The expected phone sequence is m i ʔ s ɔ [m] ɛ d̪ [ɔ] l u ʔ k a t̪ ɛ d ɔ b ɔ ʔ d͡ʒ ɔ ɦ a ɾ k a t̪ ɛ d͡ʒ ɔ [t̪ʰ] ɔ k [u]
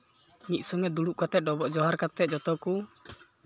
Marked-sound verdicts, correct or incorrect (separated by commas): incorrect, incorrect, incorrect, correct